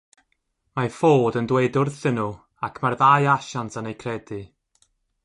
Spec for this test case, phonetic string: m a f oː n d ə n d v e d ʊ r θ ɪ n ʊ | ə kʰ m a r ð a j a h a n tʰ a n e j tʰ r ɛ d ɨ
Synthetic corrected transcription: m a f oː d ə n d w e d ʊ r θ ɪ n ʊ | a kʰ m a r ð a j a ʃ a n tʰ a n e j kʰ r ɛ d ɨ